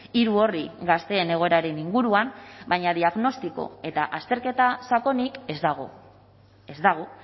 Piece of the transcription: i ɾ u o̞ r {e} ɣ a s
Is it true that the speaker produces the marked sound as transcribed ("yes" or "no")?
no